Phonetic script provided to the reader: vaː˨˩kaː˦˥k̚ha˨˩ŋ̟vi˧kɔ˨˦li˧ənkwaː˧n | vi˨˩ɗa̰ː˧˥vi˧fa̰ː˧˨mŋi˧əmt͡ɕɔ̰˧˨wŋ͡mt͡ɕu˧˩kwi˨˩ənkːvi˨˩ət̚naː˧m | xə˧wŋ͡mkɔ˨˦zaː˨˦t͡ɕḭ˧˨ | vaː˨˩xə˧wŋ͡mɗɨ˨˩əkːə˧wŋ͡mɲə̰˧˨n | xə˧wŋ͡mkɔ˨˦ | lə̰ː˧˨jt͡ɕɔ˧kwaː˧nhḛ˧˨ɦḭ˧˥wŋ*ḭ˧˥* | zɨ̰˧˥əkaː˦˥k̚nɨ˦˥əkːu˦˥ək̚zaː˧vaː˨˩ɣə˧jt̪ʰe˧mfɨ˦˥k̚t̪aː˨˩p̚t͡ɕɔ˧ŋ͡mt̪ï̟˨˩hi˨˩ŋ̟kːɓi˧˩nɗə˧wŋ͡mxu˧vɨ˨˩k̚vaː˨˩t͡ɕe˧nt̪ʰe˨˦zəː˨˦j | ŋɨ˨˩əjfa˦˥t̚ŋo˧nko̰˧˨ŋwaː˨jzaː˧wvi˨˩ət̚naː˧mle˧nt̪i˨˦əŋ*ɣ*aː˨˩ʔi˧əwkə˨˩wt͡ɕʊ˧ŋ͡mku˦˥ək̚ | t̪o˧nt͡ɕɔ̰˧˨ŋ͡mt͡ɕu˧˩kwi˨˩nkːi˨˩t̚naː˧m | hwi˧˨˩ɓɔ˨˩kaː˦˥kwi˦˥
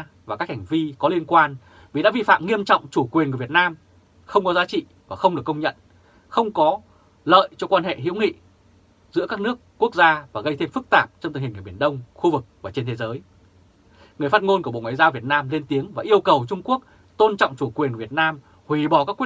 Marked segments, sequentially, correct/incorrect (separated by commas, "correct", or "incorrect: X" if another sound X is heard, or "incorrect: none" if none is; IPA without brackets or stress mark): incorrect: ḭ˧˨, incorrect: v